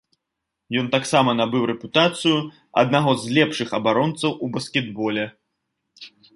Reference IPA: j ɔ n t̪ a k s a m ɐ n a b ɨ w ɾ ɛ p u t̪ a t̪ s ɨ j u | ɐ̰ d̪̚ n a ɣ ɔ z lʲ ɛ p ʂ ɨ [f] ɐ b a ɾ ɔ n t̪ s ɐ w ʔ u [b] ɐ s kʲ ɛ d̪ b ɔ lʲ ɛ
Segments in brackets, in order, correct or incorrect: incorrect: x, correct

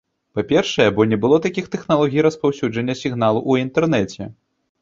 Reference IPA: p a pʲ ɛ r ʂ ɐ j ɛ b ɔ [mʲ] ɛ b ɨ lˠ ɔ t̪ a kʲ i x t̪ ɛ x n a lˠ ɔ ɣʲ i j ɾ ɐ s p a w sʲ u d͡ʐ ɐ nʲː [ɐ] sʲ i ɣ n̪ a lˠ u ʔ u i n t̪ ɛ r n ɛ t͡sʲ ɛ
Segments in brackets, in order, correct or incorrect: incorrect: nʲ, correct

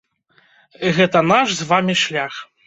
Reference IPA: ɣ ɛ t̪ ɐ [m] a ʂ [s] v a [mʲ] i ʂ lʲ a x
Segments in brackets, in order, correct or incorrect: incorrect: n, incorrect: z, correct

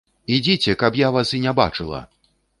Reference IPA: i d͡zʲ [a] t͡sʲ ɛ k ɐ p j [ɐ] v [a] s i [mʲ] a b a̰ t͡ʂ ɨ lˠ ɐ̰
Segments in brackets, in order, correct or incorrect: incorrect: i, incorrect: a, correct, incorrect: nʲ

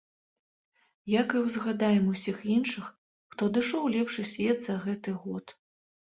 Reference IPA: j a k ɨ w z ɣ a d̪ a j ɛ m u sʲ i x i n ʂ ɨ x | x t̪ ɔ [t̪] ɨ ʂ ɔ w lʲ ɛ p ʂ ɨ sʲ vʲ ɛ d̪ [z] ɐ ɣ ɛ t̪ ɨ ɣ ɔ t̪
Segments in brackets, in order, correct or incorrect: incorrect: d̪, correct

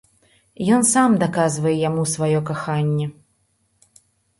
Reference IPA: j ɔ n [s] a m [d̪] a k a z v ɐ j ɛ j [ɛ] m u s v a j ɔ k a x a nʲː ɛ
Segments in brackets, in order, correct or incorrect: correct, correct, incorrect: a

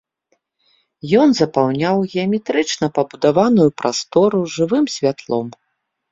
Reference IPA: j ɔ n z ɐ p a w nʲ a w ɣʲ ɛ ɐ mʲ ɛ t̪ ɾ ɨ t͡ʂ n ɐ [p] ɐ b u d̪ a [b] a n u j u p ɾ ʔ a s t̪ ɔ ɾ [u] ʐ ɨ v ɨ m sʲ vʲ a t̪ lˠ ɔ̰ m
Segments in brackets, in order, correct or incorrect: correct, incorrect: v, correct

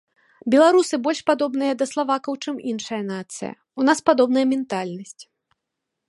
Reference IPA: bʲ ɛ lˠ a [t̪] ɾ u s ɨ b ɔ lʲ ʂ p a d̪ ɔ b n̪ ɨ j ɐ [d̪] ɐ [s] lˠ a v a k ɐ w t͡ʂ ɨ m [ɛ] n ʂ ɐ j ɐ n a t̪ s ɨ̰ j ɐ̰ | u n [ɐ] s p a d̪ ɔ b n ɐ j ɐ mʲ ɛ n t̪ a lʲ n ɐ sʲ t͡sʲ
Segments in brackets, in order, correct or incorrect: incorrect: none, correct, correct, incorrect: i, incorrect: a

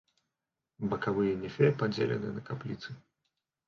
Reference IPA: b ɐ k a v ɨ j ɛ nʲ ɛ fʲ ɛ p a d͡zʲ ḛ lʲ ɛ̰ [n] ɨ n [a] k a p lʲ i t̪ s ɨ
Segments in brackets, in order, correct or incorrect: correct, incorrect: ɐ

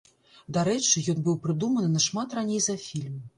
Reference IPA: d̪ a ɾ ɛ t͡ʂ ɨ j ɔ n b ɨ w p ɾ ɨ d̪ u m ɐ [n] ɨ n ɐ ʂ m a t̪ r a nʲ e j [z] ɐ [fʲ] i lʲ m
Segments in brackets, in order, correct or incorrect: correct, correct, correct

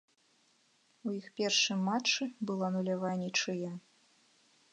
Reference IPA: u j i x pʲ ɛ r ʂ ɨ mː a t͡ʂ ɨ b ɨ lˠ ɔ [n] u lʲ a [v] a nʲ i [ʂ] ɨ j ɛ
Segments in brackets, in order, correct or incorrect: correct, correct, incorrect: t͡ʂ

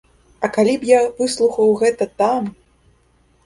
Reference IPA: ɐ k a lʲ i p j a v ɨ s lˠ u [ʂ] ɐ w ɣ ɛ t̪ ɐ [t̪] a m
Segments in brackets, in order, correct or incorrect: incorrect: x, correct

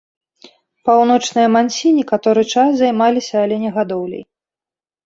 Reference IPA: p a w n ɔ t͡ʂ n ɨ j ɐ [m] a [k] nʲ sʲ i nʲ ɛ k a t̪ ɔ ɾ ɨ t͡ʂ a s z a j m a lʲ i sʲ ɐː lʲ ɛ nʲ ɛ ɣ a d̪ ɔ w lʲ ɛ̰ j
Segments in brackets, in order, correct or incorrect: correct, incorrect: none

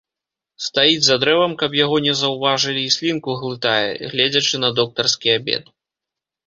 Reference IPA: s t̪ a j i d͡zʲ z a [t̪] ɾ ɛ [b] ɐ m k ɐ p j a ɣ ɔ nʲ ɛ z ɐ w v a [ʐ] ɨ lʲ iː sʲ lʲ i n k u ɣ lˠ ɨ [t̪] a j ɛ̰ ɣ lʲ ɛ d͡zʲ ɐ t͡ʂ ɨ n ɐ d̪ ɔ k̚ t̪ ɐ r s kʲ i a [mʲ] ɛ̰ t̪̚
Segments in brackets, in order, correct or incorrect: incorrect: d̪, incorrect: v, correct, correct, incorrect: bʲ

